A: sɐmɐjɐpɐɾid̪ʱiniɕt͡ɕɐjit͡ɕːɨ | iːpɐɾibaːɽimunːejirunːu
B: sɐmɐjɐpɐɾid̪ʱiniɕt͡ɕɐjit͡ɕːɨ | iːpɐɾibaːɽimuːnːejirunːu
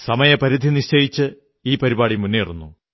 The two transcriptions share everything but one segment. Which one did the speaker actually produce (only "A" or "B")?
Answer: A